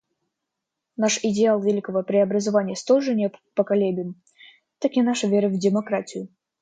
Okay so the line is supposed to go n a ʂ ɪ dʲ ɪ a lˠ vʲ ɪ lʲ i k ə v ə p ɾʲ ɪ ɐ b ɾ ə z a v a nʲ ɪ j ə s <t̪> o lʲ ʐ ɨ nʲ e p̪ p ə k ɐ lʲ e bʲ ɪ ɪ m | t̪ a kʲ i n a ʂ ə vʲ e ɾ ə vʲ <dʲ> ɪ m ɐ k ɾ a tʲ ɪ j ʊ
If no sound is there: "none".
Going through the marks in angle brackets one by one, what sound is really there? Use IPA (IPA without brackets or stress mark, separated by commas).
t̪, dʲ